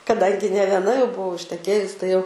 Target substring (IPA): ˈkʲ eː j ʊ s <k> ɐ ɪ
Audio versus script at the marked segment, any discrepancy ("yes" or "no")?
yes